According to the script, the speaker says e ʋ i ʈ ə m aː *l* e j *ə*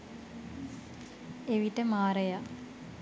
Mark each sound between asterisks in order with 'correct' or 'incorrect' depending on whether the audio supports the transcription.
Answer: incorrect, incorrect

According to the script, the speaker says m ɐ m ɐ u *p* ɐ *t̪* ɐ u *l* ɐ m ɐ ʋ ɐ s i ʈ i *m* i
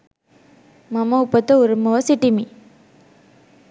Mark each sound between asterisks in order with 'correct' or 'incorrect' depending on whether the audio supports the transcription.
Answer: correct, correct, incorrect, correct

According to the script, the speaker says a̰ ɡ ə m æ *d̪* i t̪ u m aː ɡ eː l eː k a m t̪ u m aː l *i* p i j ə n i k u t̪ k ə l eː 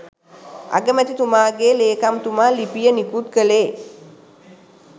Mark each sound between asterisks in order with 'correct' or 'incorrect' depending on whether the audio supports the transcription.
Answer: incorrect, correct

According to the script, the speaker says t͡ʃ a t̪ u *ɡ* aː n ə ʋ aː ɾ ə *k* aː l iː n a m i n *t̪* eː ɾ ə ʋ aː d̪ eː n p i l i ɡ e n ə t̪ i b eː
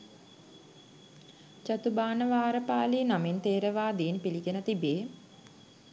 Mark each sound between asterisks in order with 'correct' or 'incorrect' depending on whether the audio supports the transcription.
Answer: incorrect, incorrect, correct

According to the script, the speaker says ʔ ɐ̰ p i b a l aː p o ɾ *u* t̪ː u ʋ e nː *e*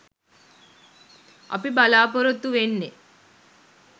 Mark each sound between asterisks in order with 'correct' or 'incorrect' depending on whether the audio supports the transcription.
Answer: incorrect, correct

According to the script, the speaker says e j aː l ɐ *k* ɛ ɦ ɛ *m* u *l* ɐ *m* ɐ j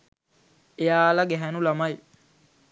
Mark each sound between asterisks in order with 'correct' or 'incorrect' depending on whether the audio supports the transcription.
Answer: incorrect, incorrect, correct, correct

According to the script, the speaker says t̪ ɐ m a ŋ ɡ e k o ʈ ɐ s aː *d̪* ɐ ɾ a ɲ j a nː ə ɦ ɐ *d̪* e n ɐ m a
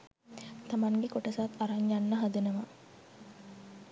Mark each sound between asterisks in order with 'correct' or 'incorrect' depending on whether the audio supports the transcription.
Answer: incorrect, correct

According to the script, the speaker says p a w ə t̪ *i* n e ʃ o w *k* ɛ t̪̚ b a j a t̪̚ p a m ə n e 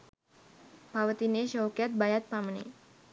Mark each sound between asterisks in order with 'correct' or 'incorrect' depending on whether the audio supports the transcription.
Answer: correct, correct

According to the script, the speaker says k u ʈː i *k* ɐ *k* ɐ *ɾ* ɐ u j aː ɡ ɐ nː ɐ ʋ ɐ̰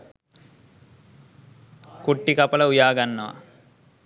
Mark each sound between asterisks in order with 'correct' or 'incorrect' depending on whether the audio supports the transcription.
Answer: correct, incorrect, incorrect

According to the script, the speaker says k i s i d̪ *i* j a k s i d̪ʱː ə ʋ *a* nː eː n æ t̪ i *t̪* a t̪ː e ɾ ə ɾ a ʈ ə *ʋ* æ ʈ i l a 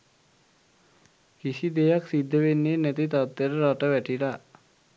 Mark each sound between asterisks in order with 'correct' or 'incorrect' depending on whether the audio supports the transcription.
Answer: incorrect, incorrect, correct, correct

